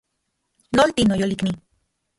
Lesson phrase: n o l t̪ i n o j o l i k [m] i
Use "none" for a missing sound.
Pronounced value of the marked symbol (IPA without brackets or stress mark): n